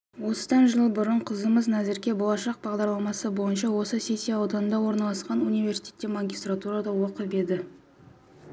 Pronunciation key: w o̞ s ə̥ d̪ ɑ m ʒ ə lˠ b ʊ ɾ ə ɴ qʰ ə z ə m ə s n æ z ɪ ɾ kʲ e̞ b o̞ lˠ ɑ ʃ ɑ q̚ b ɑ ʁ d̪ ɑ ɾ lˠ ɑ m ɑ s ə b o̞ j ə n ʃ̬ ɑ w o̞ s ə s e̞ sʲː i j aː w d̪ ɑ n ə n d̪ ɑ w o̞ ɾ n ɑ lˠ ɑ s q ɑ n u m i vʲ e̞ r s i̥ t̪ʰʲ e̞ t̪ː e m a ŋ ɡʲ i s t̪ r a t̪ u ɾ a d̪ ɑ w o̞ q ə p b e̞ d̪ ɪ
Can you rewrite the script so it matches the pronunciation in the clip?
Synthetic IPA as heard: w o̞ s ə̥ d̪ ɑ n ʒ ə lˠ b ʊ ɾ ə ɴ qʰ ə z ə m ə z n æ z ɪ ɾ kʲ e̞ b o̞ lˠ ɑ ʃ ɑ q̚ b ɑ ʁ d̪ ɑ ɾ lˠ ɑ m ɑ s ə b o̞ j ə n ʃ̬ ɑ w o̞ s ə s e̞ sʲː i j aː w d̪ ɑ n ə n d̪ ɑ w o̞ ɾ n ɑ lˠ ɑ s q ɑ n u n i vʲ e̞ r s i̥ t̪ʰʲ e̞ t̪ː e m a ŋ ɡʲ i s t̪ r a t̪ u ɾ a d̪ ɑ w o̞ q ə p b e̞ d̪ ɪ